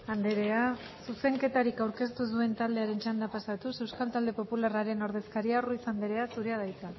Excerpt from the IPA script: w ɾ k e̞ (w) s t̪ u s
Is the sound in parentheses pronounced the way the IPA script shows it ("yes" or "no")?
no